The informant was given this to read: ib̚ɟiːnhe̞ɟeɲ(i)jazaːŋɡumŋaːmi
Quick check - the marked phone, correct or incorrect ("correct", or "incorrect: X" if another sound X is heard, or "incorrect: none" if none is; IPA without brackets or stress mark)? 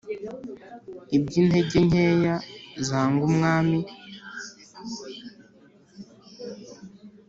incorrect: e